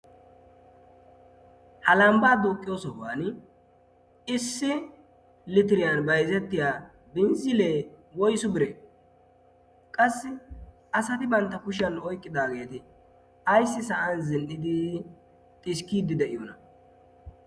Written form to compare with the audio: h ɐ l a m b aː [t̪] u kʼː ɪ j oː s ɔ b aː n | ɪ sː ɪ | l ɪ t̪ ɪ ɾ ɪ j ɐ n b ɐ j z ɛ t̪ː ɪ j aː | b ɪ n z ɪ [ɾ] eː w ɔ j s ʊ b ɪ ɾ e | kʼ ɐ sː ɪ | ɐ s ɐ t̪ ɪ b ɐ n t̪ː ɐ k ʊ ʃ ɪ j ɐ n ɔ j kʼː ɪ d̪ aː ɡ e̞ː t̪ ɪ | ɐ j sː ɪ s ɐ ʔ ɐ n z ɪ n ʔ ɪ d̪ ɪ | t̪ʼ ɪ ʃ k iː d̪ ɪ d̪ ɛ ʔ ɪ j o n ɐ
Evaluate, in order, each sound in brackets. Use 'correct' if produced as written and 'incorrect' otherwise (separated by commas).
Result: incorrect, incorrect